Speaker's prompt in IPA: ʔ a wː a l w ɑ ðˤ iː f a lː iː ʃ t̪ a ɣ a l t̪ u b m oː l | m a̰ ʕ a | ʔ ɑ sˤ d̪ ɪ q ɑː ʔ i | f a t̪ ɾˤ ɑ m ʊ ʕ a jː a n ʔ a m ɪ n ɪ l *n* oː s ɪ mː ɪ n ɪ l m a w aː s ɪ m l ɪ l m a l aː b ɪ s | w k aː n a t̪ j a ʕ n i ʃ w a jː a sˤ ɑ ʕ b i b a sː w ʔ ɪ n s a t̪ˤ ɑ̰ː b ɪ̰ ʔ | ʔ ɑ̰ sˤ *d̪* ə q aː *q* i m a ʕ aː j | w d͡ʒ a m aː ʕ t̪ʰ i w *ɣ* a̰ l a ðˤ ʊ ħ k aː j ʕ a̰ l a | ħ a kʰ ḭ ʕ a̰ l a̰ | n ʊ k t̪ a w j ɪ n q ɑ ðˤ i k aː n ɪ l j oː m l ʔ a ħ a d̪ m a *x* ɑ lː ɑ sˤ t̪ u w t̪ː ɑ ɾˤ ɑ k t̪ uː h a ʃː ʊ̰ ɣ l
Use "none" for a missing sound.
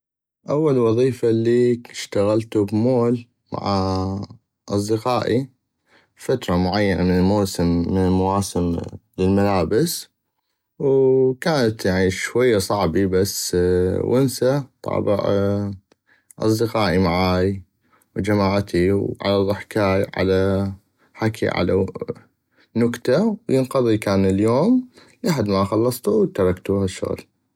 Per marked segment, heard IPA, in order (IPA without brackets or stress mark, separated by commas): m, d̪, ʔ, ʕ, x